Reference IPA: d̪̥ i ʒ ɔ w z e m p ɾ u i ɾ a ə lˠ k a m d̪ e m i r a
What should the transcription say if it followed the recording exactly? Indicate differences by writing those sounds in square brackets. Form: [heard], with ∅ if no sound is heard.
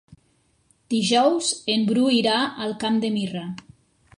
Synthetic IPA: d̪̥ i ʒ ɔ w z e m [b] ɾ u i ɾ a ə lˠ k a m d̪ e m i r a